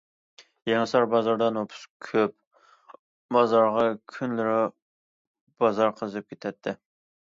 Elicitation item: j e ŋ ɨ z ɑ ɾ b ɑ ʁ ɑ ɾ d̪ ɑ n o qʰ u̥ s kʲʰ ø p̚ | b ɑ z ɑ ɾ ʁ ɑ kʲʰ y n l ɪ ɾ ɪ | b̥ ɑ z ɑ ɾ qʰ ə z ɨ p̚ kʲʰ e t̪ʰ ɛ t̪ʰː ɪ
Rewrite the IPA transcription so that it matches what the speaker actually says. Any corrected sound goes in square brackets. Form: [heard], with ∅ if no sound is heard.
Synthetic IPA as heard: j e ŋ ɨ [s] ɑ ɾ b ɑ [z] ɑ ɾ d̪ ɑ n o [pʰ] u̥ s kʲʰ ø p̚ | b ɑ z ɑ ɾ ʁ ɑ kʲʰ y n l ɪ ɾ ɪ | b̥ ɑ z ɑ ɾ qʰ ə z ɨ p̚ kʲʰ e t̪ʰ ɛ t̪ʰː ɪ